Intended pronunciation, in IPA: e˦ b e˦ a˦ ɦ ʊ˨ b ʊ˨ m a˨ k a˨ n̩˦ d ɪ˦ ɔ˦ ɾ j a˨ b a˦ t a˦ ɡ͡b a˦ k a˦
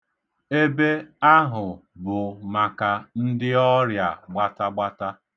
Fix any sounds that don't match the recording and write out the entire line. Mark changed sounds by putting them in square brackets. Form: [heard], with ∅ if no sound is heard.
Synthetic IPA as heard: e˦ b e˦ a˦ ɦ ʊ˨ b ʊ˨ m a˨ k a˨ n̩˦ d ɪ˦ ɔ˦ ɾ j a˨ [ɡ͡b] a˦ t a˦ ɡ͡b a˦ [t] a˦

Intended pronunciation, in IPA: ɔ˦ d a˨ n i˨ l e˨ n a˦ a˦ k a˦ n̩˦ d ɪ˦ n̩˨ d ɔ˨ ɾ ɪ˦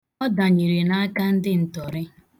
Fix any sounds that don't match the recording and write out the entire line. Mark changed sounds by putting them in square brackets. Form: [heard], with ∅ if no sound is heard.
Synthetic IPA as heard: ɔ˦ d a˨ [ɲ] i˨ [ɾ] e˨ n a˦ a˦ k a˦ n̩˦ d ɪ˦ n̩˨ [t] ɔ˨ ɾ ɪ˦

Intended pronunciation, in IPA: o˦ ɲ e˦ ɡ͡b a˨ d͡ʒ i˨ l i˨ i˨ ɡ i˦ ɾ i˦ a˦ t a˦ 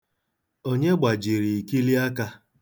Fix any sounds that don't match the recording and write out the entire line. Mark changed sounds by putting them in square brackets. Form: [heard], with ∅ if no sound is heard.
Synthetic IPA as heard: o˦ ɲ e˦ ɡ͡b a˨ d͡ʒ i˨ [ɾ] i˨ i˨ [k] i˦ [l] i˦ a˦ [k] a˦

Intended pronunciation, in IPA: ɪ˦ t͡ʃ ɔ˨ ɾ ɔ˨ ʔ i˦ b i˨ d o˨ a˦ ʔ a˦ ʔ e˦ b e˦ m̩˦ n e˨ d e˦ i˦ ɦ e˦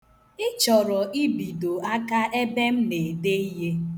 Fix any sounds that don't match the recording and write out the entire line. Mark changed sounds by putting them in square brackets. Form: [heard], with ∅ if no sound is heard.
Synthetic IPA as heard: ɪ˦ t͡ʃ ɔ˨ ɾ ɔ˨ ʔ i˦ b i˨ d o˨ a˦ [k] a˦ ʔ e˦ b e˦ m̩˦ n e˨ d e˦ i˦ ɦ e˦

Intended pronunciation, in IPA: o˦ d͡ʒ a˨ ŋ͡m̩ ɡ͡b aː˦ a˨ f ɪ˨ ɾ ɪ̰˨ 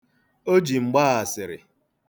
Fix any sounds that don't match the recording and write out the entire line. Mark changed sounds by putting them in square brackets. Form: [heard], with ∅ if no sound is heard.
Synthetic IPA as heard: o˦ d͡ʒ [i˨] ŋ͡m̩ ɡ͡b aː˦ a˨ [s] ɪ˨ ɾ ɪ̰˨

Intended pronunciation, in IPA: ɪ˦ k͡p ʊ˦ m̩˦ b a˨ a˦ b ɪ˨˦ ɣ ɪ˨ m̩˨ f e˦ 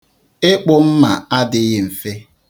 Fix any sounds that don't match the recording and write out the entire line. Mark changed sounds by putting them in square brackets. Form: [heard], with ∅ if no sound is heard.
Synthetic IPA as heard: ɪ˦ k͡p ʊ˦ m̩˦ [m] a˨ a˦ [d] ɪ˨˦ ɣ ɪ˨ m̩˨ f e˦

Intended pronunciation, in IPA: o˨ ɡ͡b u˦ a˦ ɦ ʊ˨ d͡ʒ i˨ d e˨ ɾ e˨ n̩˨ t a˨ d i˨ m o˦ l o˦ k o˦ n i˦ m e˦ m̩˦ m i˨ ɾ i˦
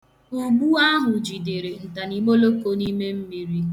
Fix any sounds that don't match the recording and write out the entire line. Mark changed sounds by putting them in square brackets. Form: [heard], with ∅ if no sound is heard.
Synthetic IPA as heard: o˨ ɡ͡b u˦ a˦ ɦ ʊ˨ d͡ʒ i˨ d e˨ ɾ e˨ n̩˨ t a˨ [n] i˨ m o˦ l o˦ k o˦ n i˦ m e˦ m̩˦ m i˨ ɾ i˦

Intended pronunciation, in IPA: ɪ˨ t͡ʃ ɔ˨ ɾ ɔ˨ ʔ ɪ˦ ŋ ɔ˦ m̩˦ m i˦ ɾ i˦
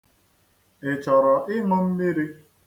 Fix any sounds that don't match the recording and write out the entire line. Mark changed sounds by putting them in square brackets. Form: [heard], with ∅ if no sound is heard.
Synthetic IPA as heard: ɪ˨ t͡ʃ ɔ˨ ɾ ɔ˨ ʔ ɪ˦ ŋ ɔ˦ m̩˦ m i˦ ɾ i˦

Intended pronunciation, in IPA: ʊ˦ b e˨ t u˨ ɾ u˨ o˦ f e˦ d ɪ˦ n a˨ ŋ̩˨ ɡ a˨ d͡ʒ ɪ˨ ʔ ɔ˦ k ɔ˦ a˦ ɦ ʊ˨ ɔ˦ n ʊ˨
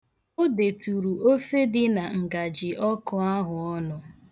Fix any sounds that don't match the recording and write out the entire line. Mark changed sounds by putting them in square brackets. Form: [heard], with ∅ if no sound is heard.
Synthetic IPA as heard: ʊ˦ [d] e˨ t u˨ ɾ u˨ o˦ f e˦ d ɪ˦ n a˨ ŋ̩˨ ɡ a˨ d͡ʒ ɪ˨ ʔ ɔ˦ k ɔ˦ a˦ ɦ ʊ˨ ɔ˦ n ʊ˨

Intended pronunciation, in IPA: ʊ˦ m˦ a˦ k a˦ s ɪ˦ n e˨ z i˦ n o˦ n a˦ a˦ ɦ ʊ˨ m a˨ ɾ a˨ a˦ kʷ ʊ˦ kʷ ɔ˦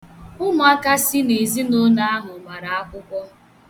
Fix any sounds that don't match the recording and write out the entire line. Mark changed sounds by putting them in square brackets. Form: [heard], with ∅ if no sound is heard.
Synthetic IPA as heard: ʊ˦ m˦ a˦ k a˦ s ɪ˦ n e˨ z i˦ n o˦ n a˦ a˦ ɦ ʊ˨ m a˨ ɾ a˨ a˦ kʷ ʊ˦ kʷ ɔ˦

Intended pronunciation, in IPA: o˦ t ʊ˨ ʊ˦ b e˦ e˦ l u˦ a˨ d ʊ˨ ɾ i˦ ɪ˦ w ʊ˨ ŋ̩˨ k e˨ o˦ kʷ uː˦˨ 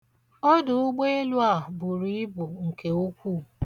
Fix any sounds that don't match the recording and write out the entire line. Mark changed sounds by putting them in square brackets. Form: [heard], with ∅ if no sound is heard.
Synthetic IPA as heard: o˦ [d] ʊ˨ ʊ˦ [ɡ͡b] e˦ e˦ l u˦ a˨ [b] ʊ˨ ɾ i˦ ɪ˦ [b] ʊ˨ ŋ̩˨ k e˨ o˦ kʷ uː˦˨

